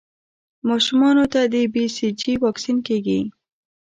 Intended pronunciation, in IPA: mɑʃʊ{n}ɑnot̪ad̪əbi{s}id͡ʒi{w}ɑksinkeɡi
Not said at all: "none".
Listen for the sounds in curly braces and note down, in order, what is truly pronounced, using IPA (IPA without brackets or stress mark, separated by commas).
m, s, w